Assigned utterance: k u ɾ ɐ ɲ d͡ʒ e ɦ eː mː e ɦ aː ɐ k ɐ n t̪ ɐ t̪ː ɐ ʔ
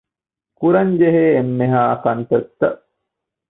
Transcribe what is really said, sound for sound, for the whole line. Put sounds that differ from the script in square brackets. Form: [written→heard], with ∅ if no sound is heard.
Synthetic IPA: k u ɾ ɐ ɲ d͡ʒ e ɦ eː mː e ɦ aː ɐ k ɐ n t̪ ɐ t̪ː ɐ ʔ